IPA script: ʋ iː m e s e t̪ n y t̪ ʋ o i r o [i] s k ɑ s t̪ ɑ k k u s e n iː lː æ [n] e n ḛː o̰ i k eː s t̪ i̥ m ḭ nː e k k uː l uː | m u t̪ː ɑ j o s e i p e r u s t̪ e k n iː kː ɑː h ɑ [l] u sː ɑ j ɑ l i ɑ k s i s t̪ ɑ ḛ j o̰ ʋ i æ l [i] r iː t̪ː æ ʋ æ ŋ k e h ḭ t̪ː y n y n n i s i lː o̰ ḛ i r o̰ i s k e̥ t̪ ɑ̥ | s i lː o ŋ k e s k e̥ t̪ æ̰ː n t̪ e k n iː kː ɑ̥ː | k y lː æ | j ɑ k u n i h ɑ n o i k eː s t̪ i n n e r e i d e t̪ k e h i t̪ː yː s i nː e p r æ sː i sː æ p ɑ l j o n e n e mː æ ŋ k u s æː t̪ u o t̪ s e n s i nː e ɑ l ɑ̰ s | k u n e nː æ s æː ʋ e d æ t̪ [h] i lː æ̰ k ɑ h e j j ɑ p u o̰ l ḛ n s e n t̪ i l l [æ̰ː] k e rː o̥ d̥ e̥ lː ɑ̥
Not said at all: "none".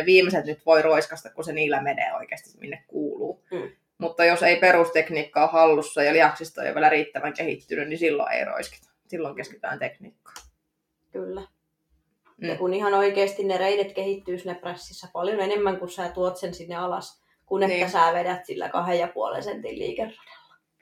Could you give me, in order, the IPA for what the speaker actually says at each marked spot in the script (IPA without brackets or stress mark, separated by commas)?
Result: i, m, lː, æ, s, ḭː